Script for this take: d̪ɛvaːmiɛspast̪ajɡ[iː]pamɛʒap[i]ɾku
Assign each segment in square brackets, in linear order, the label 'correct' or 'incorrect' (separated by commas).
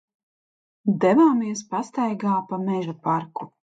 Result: incorrect, incorrect